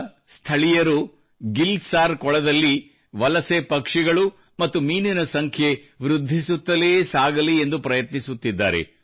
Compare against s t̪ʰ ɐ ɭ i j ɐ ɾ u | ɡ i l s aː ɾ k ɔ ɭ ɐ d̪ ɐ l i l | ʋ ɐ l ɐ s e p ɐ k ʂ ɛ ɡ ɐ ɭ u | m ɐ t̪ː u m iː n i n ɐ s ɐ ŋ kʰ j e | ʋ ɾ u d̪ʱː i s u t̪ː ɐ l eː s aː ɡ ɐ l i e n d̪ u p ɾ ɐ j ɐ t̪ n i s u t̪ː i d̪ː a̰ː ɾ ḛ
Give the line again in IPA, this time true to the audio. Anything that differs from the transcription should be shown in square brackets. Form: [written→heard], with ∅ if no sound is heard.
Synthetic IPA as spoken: s t̪ʰ ɐ ɭ i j ɐ ɾ u | ɡ i l s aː ɾ k ɔ ɭ ɐ d̪ ɐ [l→lː] i [l→∅] | ʋ ɐ l ɐ s e p ɐ k ʂ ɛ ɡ ɐ ɭ u | m ɐ t̪ː u m iː n i n ɐ s ɐ ŋ kʰ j e | ʋ ɾ u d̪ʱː i s u t̪ː ɐ l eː s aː ɡ ɐ l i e n d̪ u p ɾ ɐ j ɐ t̪ n i s u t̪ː i d̪ː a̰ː ɾ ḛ

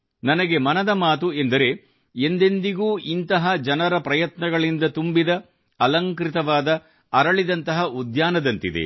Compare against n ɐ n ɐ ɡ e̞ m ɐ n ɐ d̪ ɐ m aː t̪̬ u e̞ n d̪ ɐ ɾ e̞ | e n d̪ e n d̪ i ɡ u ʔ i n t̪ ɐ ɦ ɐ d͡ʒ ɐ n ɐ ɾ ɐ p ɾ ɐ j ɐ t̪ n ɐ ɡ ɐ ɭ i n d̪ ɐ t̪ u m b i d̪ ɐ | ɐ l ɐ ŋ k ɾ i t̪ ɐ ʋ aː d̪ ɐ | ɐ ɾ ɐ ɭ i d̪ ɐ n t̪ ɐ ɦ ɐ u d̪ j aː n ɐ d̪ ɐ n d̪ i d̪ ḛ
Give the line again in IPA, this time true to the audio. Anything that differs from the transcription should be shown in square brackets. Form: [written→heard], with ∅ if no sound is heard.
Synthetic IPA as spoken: n ɐ n ɐ ɡ e̞ m ɐ n ɐ d̪ ɐ m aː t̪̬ u e̞ n d̪ ɐ ɾ e̞ | e n d̪ e n d̪ i ɡ [u→uː] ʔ i n t̪ ɐ ɦ ɐ d͡ʒ ɐ n ɐ ɾ ɐ p ɾ ɐ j ɐ t̪ n ɐ ɡ ɐ ɭ i n d̪ ɐ t̪ u m b i d̪ ɐ | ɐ l ɐ ŋ k ɾ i t̪ ɐ ʋ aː d̪ ɐ | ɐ ɾ ɐ ɭ i d̪ ɐ n t̪ ɐ ɦ ɐ u d̪ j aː n ɐ d̪ ɐ n [d̪→t̪] i d̪ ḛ

